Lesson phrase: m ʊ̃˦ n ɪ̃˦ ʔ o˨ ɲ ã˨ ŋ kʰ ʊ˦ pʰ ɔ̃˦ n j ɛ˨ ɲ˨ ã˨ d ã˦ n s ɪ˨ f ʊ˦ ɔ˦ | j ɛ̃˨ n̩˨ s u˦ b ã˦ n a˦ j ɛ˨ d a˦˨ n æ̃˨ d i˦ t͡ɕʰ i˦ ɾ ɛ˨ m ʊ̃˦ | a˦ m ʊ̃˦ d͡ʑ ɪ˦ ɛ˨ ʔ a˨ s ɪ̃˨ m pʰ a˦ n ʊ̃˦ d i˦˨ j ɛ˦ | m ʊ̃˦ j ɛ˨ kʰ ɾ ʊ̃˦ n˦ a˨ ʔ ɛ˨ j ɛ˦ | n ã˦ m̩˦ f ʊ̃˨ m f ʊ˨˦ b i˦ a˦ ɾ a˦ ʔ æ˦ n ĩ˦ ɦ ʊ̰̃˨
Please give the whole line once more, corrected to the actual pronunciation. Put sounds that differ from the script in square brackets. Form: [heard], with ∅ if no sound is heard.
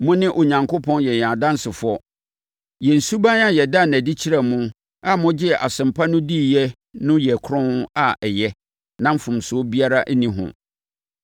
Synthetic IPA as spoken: m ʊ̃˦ n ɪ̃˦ ʔ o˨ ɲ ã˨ ŋ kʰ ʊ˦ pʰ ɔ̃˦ n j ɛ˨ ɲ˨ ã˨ d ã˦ n s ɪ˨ f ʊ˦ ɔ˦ | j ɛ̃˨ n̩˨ s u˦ b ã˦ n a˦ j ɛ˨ d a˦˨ n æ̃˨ d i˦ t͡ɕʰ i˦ ɾ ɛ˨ m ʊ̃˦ | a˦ m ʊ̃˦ d͡ʑ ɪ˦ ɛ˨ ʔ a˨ s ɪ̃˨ m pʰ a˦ n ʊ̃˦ d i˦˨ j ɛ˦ | [n] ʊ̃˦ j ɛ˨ kʰ ɾ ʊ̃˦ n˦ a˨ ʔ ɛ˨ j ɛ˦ | n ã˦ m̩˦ f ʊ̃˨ m [s] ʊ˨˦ b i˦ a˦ ɾ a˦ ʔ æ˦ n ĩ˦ ɦ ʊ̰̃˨